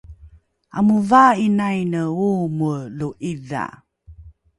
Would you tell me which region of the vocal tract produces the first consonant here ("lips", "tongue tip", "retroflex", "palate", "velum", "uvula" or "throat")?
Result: lips